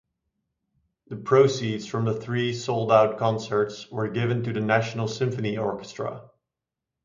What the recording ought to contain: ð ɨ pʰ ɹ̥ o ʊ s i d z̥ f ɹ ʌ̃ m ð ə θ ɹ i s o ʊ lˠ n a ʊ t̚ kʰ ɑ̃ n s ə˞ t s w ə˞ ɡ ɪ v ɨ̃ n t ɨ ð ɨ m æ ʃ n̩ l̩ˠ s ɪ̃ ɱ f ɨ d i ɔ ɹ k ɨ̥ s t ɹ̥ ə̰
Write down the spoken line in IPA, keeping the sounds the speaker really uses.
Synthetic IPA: ð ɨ pʰ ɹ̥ o ʊ s i d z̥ f ɹ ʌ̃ m ð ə θ ɹ i s o ʊ lˠ d a ʊ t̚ kʰ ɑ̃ n s ə˞ t s w ə˞ ɡ ɪ v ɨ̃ n t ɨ ð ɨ n æ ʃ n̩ l̩ˠ s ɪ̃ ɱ f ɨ n i ɔ ɹ k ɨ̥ s t ɹ̥ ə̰